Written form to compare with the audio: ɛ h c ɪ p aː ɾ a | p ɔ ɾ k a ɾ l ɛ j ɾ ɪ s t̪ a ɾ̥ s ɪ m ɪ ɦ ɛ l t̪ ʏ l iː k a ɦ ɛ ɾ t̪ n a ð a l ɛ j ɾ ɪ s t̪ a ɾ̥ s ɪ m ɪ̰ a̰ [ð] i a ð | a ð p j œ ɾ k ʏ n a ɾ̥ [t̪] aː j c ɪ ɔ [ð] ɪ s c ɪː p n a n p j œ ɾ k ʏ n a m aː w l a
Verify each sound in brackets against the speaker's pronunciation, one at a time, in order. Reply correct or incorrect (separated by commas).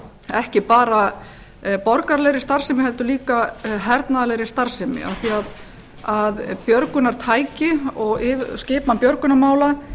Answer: incorrect, incorrect, incorrect